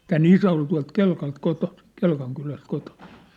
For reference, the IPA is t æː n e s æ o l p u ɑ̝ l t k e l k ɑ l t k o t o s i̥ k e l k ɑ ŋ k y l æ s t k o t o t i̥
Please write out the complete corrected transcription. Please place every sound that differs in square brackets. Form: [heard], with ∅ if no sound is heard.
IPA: t æː n [i] s æ o l [t] u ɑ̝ l t k e l k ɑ l t k o t o s i̥ k e l k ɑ ŋ k y l æ s t k o t o [s] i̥

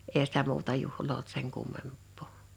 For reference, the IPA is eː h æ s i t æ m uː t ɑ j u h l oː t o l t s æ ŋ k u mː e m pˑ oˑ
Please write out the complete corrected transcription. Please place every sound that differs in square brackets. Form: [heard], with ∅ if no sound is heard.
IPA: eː h æ s i t æ m uː t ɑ j u h l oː [∅] o l t s [e] ŋ k u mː e m pˑ oˑ

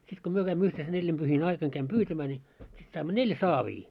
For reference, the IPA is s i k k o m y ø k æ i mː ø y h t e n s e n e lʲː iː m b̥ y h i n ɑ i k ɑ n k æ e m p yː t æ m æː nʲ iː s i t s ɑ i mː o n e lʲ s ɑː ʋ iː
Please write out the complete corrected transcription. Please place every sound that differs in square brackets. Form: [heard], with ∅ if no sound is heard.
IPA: s i [t] k o m y ø k æ i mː ø y h t e n s e n e lʲː [i] m b̥ y h i n ɑ i k ɑ n k æ [i] m p yː t æ m æː nʲ iː s i t s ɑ i mː o n e lʲ s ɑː ʋ iː

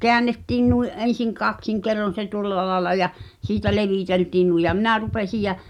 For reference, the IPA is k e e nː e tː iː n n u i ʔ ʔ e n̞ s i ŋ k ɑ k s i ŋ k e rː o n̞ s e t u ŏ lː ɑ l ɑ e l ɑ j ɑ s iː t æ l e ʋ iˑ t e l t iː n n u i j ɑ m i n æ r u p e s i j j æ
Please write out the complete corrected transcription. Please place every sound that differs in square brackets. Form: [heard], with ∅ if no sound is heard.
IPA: k e [æ] nː e tː iː n n u i ʔ ʔ e n̞ s i ŋ k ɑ k s i ŋ k e rː o n̞ s e t u ŏ lː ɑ l ɑ e l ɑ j ɑ s iː t æ l e ʋ iˑ t e l t iː n n u i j ɑ m i n æ r u p e s i j j æ

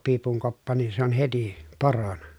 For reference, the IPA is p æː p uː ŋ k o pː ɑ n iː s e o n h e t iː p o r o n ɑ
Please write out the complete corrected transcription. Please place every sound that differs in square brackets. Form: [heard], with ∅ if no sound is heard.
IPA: p [iː] p [u] ŋ k o pː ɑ n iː s e o n h e t [i] p o r o n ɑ

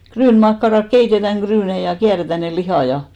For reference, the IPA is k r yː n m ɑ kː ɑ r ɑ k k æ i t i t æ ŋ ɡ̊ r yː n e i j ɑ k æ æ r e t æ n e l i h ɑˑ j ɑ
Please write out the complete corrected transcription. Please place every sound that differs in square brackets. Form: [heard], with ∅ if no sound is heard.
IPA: k r yː n m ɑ kː ɑ r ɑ k k [e] i t [e] t æ ŋ ɡ̊ r yː n e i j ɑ k [i] æ r e t æ n e l i h ɑˑ j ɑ

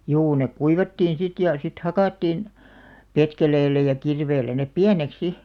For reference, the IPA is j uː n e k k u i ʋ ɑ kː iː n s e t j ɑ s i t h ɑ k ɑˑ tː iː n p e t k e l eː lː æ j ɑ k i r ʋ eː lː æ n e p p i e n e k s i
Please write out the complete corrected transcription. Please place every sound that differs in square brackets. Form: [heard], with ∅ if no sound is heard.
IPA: j uː n e k k u i ʋ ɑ [tː] iː n s [i] t j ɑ s i t h ɑ k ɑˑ tː iː n p e t k e l eː lː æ j ɑ k i r ʋ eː lː æ n e p p i [æ] n e k s i

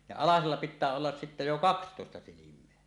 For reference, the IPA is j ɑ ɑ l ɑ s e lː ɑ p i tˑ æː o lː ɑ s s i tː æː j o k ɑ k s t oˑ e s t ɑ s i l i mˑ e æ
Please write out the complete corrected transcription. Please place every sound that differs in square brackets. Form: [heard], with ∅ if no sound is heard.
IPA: j ɑ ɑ l ɑ s e lː ɑ p i tˑ æː o lː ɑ s s i tː [æ] j o k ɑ k s t oˑ e s t ɑ s i l i mˑ e æ

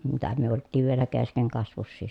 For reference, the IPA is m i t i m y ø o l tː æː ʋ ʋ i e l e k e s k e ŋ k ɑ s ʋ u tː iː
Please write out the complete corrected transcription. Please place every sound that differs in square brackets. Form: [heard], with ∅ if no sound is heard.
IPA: m i t [æ] m y ø o l tː [iː] ʋ ʋ i e l [æ] k e s k e ŋ k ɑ s ʋ u [sː] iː

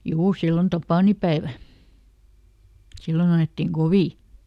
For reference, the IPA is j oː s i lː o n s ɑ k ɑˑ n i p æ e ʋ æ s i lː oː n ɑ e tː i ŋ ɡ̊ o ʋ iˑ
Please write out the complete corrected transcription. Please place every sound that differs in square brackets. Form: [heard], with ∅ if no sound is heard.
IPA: j [uː] s i lː o n [t] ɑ [p] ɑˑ n i p æ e ʋ æ s i lː [o] n ɑ e tː i ŋ ɡ̊ o ʋ iˑ

